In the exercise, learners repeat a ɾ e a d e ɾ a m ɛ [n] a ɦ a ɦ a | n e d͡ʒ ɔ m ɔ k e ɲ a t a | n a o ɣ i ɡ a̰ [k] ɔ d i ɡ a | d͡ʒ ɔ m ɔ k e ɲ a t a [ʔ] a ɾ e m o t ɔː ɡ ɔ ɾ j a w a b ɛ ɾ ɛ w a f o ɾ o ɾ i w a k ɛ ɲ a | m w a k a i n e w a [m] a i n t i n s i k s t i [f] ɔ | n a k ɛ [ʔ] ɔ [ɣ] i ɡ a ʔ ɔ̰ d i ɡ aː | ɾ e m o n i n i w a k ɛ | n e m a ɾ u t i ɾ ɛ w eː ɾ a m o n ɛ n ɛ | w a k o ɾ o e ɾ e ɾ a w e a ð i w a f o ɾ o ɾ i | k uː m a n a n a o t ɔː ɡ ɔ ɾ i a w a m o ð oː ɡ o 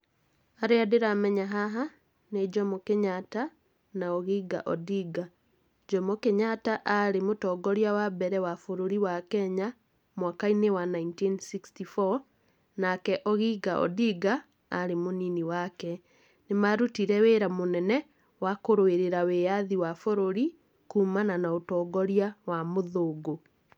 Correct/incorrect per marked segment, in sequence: incorrect: ɲ, incorrect: ʔ, correct, incorrect: n, correct, correct, correct

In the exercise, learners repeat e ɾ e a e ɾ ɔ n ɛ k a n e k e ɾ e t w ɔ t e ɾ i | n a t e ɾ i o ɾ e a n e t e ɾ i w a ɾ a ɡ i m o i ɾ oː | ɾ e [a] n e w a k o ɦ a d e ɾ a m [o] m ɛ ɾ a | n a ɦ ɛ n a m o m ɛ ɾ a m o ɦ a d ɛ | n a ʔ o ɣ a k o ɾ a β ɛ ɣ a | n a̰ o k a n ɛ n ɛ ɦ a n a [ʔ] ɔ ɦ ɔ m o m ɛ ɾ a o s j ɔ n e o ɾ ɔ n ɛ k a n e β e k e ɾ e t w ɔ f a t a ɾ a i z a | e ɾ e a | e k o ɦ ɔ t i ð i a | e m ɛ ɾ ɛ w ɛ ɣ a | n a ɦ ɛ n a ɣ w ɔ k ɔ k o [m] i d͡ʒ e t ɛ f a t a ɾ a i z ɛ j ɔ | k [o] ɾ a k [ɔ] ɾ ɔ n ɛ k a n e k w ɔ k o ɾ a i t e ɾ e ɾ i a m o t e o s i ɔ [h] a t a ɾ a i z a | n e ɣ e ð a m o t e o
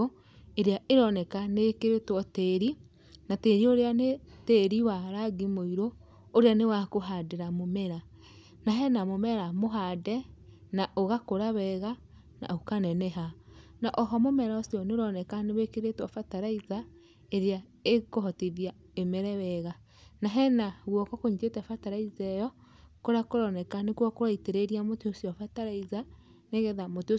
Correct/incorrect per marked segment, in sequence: correct, correct, correct, incorrect: ɲ, correct, incorrect: o, incorrect: f

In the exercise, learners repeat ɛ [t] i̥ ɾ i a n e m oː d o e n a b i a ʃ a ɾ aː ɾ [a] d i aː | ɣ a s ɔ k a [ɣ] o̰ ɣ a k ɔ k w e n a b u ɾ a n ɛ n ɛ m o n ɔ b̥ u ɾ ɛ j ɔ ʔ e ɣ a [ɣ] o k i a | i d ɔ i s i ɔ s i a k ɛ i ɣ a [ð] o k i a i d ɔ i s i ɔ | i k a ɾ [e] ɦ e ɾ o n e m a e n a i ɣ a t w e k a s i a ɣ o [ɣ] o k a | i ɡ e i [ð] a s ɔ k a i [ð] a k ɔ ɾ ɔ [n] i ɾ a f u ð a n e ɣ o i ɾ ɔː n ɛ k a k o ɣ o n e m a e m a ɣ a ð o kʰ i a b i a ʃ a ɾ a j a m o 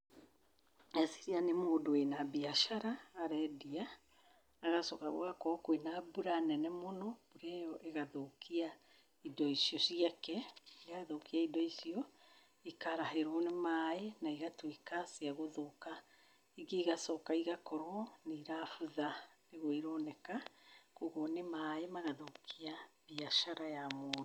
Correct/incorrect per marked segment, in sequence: incorrect: s, incorrect: ɛ, correct, incorrect: ð, correct, incorrect: a, incorrect: ð, incorrect: ɣ, incorrect: ɣ, correct

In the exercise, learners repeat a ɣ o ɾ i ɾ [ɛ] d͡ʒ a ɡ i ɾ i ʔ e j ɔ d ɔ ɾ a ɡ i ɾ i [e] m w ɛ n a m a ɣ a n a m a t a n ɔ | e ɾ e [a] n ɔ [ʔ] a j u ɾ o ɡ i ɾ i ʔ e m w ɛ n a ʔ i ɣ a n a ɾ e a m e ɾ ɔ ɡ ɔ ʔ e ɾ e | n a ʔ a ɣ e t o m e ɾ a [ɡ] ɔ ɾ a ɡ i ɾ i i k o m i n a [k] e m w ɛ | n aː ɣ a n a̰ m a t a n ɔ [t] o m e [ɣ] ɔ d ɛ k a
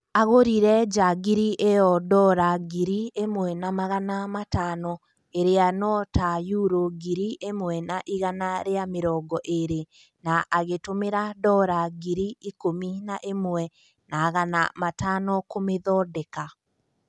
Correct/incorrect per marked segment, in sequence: correct, correct, correct, incorrect: t, incorrect: d, incorrect: ʔ, incorrect: k, incorrect: ð

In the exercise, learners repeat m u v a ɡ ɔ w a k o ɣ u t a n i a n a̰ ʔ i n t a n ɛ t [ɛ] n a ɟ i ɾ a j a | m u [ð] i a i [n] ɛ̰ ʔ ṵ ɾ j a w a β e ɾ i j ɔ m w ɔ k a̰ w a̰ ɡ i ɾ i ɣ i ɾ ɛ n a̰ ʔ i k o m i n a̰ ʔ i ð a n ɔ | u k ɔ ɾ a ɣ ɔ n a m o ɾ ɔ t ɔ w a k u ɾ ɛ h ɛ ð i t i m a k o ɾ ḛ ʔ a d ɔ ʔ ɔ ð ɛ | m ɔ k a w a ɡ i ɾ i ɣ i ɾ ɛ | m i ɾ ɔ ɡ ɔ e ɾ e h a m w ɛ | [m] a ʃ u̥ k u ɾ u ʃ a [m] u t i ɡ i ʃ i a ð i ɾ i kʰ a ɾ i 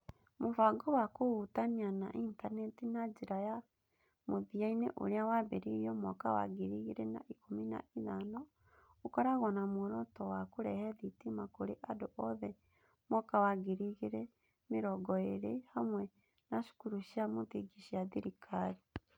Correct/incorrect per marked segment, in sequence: incorrect: i, correct, correct, incorrect: n, correct

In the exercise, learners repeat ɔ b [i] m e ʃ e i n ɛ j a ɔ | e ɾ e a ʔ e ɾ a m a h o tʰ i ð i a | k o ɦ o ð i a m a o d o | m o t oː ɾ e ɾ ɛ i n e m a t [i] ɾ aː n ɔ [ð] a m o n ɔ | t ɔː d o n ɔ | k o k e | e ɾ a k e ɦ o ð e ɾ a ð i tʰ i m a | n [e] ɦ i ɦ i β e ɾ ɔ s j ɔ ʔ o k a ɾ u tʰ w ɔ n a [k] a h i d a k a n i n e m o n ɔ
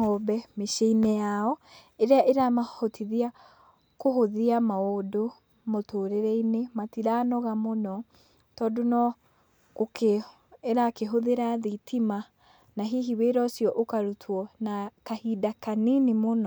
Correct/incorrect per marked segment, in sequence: incorrect: ɛ, correct, incorrect: ɣ, incorrect: a, correct

